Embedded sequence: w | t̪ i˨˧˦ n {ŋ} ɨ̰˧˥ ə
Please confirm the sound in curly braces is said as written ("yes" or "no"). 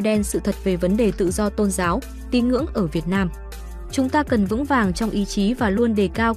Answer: yes